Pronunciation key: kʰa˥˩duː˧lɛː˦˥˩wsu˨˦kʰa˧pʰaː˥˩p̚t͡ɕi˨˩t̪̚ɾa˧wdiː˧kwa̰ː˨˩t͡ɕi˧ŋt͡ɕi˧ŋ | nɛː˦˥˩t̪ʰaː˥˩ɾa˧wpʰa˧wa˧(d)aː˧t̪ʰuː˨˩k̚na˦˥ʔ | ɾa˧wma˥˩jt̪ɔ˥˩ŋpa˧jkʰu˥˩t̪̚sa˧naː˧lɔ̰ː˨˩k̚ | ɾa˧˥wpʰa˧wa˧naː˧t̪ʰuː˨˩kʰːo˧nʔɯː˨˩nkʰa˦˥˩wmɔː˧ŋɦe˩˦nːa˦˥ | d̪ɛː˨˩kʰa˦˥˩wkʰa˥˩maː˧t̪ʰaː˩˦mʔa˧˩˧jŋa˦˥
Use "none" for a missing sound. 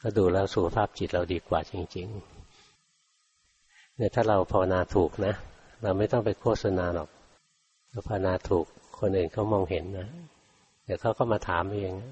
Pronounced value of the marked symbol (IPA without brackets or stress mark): n